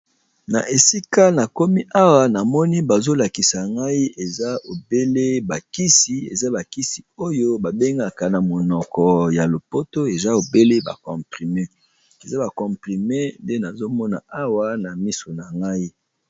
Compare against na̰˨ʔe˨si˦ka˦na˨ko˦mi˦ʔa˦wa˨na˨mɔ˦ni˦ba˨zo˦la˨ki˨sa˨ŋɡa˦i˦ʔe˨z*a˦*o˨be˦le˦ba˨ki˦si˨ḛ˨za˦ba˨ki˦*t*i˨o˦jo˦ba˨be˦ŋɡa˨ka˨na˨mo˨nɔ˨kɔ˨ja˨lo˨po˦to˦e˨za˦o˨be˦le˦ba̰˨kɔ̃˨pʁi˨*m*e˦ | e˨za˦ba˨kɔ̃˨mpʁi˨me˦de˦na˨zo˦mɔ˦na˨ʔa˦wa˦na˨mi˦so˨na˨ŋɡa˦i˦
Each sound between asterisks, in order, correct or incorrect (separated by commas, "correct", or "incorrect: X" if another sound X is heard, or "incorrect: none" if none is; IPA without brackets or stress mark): correct, incorrect: s, correct